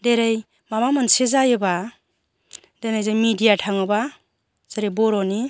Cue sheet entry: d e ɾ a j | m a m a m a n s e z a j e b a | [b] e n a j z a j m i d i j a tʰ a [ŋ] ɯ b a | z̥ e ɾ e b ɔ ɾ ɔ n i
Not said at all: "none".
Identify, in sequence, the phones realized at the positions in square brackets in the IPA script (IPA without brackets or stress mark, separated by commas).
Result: d, ŋ